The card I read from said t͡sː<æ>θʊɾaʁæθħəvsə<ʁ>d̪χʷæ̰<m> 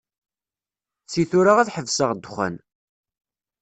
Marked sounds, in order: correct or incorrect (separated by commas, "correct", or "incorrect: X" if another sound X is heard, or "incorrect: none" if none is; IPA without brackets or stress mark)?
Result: incorrect: i, correct, incorrect: n